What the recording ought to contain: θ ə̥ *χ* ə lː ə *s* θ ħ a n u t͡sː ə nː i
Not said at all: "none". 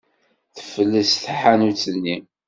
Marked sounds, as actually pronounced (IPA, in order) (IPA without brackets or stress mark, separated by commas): f, s